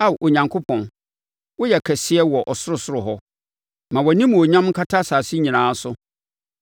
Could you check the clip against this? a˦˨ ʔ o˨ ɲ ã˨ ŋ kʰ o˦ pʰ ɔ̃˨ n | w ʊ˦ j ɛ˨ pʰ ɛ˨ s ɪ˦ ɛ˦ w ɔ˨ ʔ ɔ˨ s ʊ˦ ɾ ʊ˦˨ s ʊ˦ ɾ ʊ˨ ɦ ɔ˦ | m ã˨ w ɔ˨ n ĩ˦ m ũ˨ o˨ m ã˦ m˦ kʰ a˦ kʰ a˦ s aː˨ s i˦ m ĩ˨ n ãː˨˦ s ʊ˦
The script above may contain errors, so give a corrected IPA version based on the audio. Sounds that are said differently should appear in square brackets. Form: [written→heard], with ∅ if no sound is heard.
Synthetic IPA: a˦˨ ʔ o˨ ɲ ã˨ ŋ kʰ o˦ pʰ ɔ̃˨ n | w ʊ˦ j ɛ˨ [pʰ→kʰ] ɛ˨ s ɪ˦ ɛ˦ w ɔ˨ ʔ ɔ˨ s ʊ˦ ɾ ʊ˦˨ s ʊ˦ ɾ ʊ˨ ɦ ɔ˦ | m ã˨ w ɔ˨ n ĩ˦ m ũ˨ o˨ [m→ɲ] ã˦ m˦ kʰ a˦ [kʰ→tʰ] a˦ s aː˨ s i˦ [m→ɲ] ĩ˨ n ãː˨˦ s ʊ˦